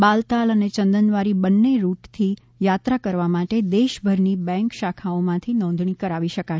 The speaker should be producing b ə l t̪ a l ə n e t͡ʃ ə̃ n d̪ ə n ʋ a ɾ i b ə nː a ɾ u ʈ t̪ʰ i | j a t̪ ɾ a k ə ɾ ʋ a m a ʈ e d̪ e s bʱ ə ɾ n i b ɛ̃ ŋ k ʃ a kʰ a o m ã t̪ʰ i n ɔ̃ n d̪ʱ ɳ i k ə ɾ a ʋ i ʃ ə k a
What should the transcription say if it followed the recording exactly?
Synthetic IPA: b a l t̪ a l ə n e t͡ʃ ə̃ n d̪ ə n ʋ a ɾ i b ə nː e ɾ u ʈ t̪ʰ i | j a t̪ ɾ a k ə ɾ ʋ a m a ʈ e d̪ e ʃ bʱ ə ɾ n i b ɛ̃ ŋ k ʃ a kʰ a o m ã t̪ʰ i n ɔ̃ n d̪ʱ ɳ i k ə ɾ a ʋ i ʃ ə k a